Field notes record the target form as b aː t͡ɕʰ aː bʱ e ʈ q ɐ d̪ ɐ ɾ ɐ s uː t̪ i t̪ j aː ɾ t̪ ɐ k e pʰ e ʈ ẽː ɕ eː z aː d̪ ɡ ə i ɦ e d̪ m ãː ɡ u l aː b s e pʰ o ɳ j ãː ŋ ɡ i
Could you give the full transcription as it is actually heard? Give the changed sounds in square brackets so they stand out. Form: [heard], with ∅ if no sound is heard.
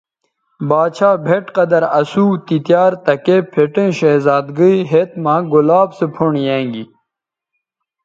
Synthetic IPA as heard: b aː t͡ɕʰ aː bʱ e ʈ q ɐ d̪ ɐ ɾ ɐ s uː t̪ i t̪ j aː ɾ t̪ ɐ k e pʰ e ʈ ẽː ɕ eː z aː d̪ ɡ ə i ɦ e [t̪] m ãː ɡ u l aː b s e pʰ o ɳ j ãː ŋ ɡ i